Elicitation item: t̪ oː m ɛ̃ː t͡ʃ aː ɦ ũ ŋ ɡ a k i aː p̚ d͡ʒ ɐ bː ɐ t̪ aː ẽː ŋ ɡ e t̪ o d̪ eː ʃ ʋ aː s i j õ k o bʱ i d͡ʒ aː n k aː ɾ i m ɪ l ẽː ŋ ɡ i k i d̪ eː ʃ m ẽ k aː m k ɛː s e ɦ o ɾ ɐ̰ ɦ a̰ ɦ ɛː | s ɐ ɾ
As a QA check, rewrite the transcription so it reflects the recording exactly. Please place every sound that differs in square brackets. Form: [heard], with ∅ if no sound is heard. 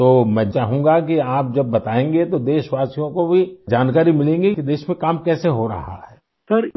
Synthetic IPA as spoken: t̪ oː m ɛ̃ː t͡ʃ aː ɦ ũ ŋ ɡ a k i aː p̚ d͡ʒ ɐ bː ɐ t̪ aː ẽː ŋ ɡ e t̪ o d̪ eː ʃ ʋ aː s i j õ k o bʱ i d͡ʒ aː n k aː ɾ i m ɪ l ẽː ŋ ɡ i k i d̪ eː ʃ m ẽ k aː m k ɛː s e ɦ o ɾ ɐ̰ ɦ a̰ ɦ ɛː | s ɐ ɾ